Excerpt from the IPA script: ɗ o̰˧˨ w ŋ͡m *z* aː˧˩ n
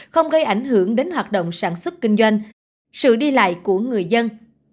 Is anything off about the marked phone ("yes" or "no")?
yes